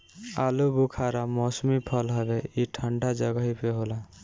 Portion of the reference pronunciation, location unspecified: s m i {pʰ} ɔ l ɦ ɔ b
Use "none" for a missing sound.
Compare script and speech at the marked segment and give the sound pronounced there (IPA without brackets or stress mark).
pʰ